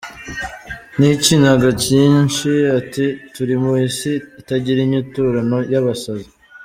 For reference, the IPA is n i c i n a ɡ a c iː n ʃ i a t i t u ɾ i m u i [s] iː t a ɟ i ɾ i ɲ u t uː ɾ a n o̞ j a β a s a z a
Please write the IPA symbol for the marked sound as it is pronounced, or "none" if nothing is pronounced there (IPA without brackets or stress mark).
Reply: s